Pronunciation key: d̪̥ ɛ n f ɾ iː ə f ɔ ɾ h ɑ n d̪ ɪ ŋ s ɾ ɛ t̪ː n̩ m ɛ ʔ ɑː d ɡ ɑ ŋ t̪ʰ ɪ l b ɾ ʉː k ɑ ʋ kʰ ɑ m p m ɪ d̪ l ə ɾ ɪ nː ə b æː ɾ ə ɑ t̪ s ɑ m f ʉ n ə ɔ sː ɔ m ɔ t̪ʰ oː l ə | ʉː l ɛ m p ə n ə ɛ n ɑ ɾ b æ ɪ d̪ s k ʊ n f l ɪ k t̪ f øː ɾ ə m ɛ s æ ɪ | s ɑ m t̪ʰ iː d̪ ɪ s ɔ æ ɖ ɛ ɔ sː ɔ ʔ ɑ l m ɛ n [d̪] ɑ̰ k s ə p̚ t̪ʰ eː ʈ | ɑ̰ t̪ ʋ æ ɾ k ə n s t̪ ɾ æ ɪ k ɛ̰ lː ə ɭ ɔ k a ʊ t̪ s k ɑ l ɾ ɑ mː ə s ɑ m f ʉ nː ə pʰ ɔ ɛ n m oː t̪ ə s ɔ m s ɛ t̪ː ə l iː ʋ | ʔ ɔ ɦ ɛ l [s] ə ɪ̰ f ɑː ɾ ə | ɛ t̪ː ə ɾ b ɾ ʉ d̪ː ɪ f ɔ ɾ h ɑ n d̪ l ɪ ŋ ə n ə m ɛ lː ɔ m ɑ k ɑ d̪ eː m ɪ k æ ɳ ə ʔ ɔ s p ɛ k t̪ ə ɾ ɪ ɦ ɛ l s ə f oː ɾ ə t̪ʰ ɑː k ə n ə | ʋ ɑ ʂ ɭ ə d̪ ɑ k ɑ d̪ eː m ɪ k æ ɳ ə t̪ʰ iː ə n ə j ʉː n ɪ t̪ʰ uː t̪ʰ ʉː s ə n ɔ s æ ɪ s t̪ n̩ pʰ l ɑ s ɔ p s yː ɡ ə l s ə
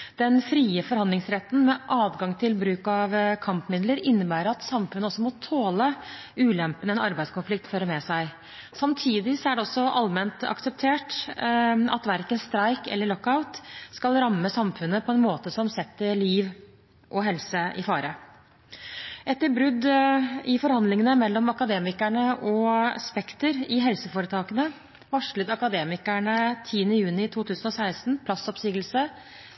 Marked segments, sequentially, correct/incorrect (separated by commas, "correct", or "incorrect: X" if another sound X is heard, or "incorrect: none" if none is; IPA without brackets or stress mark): incorrect: t̪, correct